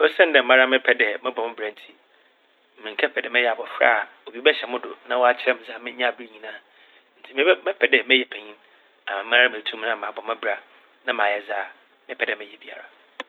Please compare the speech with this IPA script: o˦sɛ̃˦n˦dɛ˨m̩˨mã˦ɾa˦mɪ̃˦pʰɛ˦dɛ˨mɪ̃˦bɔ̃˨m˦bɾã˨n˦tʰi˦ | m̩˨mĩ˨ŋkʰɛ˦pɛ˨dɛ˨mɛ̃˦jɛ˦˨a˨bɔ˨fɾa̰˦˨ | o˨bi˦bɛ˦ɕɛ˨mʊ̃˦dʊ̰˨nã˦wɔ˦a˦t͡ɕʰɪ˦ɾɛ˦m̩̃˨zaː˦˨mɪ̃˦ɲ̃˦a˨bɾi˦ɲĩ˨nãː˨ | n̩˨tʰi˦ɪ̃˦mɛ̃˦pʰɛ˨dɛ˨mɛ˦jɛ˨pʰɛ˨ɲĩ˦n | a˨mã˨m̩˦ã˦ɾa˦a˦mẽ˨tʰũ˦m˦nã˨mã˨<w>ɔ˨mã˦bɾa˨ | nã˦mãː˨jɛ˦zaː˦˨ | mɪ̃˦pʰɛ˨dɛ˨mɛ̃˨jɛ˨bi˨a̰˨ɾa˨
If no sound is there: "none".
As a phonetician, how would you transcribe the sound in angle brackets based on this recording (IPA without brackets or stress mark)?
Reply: b